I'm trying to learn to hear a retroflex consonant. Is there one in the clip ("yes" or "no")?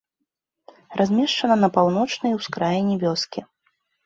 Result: yes